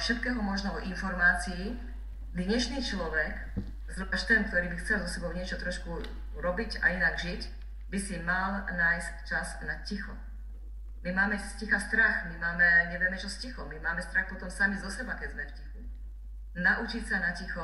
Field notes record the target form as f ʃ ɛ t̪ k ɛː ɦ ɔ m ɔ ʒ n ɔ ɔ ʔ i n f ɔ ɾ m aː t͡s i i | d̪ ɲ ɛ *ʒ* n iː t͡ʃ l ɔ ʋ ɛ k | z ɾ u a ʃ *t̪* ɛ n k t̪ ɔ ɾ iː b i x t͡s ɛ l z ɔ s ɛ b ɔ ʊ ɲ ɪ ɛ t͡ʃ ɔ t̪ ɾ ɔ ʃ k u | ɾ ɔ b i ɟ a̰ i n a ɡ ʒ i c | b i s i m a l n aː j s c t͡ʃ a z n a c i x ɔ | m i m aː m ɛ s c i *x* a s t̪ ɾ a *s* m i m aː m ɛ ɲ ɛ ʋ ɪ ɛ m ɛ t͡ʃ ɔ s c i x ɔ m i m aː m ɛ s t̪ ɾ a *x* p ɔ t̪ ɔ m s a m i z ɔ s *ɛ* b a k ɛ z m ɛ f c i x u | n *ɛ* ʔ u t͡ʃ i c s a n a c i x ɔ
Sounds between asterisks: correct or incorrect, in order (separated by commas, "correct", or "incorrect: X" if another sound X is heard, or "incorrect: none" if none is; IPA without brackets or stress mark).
incorrect: ʃ, correct, correct, incorrect: x, correct, correct, incorrect: a